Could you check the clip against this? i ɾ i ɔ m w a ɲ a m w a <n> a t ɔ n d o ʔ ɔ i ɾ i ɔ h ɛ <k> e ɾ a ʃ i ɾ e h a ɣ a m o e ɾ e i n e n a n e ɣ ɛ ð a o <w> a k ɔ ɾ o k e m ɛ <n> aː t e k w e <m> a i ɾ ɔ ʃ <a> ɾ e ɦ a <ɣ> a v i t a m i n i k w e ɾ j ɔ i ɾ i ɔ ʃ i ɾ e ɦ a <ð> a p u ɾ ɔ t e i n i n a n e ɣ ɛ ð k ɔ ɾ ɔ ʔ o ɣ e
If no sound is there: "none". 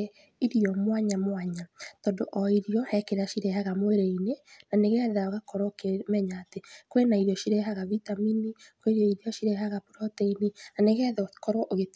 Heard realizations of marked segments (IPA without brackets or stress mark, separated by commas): ɲ, k, ɣ, ɲ, n, i, ɣ, ɣ